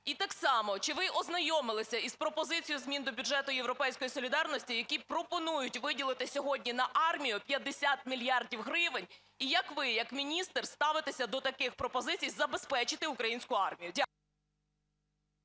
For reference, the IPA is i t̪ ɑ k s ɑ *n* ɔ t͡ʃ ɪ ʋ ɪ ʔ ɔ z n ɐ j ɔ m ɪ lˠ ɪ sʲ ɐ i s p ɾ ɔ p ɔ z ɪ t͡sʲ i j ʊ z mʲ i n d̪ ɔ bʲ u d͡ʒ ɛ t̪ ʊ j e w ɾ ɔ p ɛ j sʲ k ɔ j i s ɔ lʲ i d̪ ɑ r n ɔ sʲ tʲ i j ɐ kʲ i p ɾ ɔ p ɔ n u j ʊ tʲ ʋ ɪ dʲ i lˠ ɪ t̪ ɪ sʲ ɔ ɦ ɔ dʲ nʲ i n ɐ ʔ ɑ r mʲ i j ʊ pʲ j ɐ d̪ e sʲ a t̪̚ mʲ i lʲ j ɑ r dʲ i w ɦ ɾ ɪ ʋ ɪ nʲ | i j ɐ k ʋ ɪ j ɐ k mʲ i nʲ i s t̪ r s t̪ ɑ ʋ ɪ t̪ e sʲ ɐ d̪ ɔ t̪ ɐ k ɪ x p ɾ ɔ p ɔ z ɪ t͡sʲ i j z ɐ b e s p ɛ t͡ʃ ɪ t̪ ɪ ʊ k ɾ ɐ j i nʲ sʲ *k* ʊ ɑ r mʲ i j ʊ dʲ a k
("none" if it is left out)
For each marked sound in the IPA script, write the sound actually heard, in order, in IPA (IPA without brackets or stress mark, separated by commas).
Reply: m, k